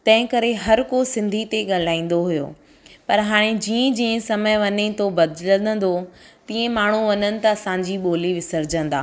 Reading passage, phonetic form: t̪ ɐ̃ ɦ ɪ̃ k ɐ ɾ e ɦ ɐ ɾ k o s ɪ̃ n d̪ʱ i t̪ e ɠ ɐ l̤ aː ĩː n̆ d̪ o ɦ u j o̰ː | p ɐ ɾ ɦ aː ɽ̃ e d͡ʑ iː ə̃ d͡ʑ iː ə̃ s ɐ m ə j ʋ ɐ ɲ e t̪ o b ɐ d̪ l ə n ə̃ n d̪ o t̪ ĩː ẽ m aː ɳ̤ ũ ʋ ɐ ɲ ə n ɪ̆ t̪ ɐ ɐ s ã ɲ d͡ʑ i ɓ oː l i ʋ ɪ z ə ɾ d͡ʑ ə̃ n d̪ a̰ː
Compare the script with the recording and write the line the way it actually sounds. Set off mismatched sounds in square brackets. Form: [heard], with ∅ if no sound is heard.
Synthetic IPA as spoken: t̪ ɐ̃ ɦ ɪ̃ k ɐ ɾ e ɦ ɐ ɾ k o s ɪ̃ n d̪ʱ i t̪ e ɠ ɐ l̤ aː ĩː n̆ d̪ o ɦ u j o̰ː | p ɐ ɾ ɦ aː ɽ̃ e d͡ʑ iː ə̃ d͡ʑ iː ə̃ s ɐ m ə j ʋ ɐ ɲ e t̪ o b ɐ d̪ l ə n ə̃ n d̪ o t̪ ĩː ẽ m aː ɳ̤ [u] ʋ ɐ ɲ ə n ɪ̆ t̪ ɐ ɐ s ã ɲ d͡ʑ i ɓ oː l i ʋ ɪ [s] ə ɾ d͡ʑ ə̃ n d̪ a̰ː